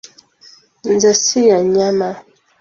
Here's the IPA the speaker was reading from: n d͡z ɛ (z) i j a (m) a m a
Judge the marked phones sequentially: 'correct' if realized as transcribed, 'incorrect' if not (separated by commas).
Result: incorrect, incorrect